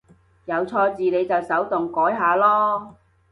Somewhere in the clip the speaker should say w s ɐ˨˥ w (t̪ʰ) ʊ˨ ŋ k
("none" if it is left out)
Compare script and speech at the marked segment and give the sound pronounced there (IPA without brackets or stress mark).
t̪